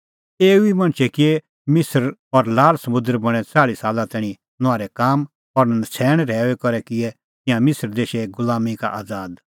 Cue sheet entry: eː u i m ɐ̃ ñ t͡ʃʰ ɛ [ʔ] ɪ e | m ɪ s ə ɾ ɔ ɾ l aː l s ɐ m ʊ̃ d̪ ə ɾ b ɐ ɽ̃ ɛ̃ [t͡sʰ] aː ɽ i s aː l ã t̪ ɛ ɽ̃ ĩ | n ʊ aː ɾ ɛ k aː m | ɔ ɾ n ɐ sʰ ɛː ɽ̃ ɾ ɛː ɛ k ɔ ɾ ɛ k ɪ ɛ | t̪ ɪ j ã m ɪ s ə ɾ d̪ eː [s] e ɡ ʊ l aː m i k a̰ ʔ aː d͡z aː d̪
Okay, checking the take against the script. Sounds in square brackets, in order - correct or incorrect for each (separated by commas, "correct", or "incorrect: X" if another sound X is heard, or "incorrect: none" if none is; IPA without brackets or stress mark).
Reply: incorrect: k, incorrect: t͡s, incorrect: ʃ